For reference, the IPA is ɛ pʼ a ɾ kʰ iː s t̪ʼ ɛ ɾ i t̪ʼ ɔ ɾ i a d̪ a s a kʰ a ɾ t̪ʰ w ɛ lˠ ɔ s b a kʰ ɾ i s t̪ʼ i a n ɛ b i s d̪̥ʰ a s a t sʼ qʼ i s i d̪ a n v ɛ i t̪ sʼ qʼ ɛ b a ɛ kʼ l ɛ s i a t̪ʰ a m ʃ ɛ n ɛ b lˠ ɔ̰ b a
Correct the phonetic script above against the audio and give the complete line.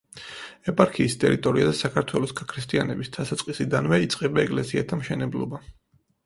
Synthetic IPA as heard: ɛ pʼ a ɾ kʰ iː s t̪ʼ ɛ ɾ i t̪ʼ ɔ ɾ i a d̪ a s a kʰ a ɾ t̪ʰ w ɛ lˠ ɔ s ɡ a kʰ ɾ i s t̪ʼ i a n ɛ b i s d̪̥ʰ a s a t sʼ qʼ i s i d̪ a n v ɛ i t̪ sʼ qʼ ɛ b a ɛ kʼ l ɛ s i a t̪ʰ a m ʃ ɛ n ɛ b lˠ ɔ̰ b a